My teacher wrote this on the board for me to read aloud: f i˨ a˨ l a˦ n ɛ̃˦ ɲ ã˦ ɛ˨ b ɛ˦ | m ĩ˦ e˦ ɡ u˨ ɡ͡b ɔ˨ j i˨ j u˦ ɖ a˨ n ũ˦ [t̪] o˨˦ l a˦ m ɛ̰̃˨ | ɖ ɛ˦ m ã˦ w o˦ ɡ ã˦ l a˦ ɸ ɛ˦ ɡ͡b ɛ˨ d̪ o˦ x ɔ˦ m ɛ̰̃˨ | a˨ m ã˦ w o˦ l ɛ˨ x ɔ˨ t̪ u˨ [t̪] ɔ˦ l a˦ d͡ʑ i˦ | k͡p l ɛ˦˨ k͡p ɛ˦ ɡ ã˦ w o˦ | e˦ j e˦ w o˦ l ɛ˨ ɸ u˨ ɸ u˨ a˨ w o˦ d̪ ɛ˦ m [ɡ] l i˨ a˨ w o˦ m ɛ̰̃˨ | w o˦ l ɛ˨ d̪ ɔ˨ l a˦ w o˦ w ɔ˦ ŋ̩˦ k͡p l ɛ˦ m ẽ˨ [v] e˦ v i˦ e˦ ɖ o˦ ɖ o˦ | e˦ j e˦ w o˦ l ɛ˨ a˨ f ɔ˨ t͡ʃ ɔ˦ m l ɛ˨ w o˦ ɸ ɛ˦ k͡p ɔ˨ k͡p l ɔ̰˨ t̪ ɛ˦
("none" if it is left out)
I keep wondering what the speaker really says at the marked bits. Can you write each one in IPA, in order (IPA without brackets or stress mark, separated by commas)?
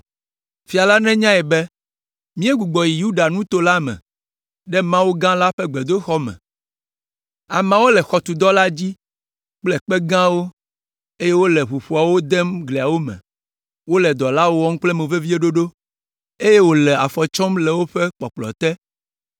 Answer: t̪, d̪, ɡ, v